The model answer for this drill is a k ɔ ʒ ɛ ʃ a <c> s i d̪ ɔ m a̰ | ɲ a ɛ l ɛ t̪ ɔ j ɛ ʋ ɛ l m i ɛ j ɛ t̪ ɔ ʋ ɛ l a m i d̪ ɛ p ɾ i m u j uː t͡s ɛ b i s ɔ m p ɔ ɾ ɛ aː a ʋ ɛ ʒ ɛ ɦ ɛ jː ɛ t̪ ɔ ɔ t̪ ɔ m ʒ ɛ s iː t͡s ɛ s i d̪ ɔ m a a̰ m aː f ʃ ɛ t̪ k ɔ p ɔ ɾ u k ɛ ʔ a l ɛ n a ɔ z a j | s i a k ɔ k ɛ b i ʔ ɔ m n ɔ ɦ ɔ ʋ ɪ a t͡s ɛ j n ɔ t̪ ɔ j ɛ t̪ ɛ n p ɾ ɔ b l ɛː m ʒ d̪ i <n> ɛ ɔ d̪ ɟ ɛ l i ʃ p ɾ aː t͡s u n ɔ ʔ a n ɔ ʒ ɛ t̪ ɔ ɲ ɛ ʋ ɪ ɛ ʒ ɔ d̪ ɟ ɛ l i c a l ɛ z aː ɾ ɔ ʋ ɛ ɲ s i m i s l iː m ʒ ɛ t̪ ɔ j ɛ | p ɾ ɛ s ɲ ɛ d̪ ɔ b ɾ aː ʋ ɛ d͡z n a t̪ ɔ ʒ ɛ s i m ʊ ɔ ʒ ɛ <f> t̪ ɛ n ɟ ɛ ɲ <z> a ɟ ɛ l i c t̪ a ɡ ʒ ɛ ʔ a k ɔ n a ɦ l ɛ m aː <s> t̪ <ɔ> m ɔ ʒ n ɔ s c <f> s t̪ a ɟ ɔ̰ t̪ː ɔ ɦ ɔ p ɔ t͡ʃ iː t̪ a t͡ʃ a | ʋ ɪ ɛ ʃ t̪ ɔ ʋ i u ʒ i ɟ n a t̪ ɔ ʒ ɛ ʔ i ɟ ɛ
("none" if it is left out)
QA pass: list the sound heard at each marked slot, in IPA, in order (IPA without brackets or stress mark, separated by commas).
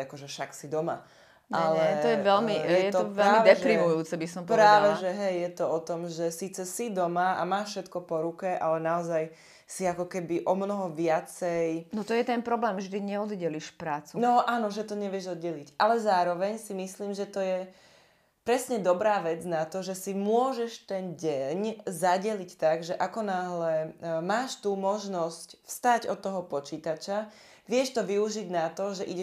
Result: k, ɲ, ʃ, z, ʃ, u, f